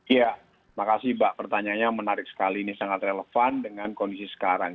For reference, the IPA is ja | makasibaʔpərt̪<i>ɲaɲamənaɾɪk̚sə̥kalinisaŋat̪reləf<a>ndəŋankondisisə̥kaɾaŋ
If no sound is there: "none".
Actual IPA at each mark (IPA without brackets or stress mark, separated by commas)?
a, a